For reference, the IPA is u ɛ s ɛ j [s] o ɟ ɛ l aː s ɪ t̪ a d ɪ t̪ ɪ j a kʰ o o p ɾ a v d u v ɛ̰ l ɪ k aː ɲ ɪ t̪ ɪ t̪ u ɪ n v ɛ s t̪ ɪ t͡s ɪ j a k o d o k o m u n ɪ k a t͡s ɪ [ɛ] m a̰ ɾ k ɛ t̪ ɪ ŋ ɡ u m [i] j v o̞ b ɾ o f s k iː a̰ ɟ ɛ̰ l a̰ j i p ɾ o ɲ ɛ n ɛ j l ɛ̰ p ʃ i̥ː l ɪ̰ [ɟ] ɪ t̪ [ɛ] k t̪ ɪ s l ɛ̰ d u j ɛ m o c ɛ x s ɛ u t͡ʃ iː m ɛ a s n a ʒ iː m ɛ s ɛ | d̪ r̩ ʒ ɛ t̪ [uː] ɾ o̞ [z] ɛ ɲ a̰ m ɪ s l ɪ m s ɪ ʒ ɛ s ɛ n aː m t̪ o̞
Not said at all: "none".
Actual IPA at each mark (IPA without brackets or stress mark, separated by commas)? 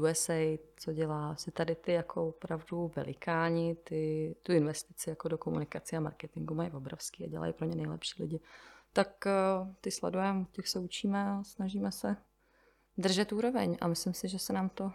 t͡s, a, a, ɟ, a, uː, v